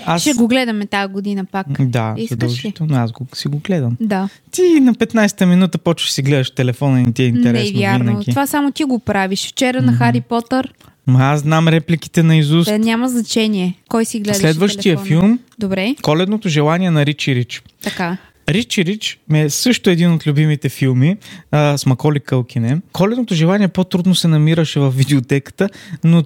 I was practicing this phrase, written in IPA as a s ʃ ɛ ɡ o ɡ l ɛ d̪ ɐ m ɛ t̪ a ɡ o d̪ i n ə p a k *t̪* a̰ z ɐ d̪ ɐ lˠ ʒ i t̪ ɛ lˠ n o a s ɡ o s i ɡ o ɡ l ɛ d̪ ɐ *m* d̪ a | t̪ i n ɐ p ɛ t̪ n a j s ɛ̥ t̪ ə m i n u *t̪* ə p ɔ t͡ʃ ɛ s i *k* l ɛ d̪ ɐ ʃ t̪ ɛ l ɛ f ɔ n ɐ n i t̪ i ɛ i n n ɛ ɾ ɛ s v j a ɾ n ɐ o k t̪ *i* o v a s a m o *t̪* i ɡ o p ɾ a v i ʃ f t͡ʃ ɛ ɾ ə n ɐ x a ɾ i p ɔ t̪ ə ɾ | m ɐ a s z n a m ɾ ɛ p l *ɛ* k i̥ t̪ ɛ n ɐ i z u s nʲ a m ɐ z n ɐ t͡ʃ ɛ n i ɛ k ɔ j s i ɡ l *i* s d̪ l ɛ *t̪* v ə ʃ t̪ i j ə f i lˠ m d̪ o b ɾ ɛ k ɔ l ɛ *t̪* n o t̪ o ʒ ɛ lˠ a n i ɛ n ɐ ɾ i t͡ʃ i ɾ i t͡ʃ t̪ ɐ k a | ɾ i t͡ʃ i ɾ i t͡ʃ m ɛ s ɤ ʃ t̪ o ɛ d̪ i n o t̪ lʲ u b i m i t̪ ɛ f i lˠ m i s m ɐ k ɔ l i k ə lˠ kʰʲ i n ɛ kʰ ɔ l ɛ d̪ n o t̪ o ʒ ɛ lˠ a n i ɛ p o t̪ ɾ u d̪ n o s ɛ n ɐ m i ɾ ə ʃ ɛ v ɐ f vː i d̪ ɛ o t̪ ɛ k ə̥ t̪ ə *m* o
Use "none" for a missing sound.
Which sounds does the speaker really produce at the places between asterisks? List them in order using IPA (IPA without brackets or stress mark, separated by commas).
d̪, m, t̪, ɡ, i, t̪, i, ɛ, d̪, d̪, n